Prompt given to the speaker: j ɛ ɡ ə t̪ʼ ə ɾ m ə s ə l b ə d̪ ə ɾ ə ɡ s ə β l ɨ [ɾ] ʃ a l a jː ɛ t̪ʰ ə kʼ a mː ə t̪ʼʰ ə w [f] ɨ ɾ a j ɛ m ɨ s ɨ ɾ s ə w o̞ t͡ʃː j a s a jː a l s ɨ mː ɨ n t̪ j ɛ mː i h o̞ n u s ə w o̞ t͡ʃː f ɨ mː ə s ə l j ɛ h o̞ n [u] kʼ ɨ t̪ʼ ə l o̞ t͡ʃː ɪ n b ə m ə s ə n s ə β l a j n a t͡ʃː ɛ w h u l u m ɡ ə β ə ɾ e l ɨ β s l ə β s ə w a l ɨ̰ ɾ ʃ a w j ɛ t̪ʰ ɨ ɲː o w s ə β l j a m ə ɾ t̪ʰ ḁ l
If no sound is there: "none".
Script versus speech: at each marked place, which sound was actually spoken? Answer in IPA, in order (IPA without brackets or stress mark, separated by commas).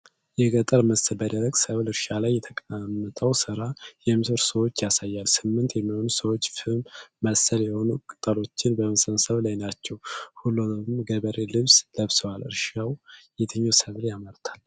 ɾ, s, u